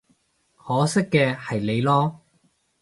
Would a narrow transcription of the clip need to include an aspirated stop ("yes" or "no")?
no